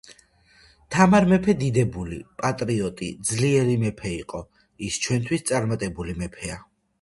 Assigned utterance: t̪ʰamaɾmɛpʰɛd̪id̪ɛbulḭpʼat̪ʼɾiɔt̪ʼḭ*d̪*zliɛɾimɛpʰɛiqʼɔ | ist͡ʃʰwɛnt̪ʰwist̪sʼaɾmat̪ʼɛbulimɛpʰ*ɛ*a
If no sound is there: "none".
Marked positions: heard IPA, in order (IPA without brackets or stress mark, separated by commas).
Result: d̪, ɛ